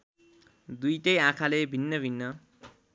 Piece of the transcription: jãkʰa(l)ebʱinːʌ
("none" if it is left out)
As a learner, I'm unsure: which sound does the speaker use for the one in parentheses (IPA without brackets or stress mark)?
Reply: l